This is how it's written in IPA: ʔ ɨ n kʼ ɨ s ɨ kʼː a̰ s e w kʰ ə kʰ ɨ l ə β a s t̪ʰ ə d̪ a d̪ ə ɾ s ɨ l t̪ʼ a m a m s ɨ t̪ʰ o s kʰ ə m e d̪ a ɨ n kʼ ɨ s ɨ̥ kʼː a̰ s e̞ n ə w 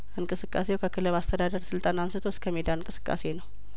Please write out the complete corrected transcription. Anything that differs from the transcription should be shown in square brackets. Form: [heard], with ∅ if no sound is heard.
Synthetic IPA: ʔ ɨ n kʼ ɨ s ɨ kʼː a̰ s e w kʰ ə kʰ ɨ l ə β a s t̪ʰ ə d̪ a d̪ ə ɾ s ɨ l t̪ʼ a [n] a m s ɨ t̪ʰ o s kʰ ə m e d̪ a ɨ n kʼ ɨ s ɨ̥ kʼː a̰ s e̞ n ə w